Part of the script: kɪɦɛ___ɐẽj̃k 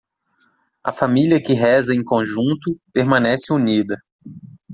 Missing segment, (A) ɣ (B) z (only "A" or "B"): B